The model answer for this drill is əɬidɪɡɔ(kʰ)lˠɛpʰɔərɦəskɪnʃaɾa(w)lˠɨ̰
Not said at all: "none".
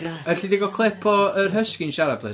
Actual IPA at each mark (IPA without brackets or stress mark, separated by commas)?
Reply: kʰ, b